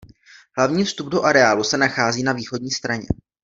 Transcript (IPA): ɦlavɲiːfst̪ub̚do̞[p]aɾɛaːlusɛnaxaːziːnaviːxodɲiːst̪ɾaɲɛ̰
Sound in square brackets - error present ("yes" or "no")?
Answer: yes